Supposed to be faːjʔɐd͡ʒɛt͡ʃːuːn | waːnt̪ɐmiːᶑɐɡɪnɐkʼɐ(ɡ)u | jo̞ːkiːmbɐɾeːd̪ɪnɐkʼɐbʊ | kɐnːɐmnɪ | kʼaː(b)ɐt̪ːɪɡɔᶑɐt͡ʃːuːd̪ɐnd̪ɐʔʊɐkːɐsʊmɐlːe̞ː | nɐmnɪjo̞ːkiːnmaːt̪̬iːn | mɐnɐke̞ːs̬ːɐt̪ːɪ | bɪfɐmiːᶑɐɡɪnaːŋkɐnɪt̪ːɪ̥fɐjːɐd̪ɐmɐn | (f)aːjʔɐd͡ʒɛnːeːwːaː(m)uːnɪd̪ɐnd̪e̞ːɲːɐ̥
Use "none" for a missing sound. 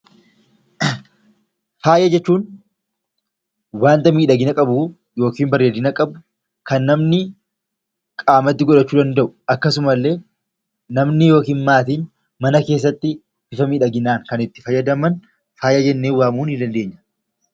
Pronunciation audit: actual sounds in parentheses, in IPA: b, m, f, m

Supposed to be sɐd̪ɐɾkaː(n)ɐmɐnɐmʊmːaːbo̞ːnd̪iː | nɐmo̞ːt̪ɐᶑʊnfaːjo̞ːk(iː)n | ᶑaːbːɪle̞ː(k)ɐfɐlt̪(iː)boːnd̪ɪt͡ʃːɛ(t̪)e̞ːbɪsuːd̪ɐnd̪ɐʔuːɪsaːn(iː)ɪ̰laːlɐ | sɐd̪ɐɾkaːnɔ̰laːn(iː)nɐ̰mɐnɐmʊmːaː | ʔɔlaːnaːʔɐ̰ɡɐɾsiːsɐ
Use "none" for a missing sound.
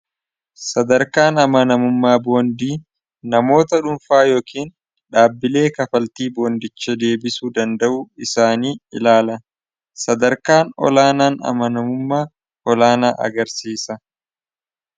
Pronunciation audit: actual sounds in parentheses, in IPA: n, iː, k, iː, d̪, iː, aː

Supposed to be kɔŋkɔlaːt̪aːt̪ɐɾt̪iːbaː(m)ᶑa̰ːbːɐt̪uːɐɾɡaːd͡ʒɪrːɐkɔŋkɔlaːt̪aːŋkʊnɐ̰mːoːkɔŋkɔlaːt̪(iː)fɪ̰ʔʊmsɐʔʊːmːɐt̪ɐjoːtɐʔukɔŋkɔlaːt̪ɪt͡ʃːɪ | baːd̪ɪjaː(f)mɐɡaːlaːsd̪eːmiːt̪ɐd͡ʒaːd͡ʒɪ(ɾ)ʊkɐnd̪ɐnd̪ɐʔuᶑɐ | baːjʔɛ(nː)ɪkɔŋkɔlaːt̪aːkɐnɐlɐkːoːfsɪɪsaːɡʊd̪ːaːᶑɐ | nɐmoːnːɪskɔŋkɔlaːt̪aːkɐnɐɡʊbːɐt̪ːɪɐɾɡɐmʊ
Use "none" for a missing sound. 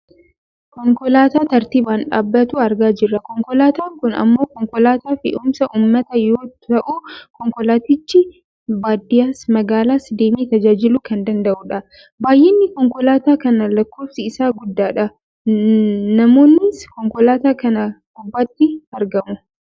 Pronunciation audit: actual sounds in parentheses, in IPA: n, aː, s, l, nː

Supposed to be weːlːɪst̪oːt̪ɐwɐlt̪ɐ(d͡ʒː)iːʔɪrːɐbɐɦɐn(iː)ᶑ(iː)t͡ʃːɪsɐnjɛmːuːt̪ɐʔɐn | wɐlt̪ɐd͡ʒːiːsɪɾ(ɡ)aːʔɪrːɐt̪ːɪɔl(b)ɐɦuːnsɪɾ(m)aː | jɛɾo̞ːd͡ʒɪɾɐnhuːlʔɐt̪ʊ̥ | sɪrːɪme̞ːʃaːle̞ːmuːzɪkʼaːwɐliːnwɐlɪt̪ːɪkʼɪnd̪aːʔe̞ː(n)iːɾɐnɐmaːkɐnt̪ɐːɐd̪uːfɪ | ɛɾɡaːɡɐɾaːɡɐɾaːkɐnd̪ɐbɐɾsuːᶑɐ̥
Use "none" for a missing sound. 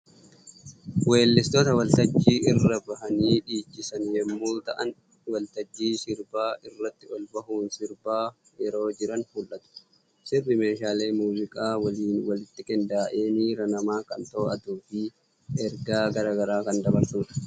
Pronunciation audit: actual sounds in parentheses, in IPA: d͡ʒː, iː, iː, b, b, b, n

